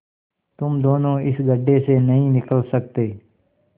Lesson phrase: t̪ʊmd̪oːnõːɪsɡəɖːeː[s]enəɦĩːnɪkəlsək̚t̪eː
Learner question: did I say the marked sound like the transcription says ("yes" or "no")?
yes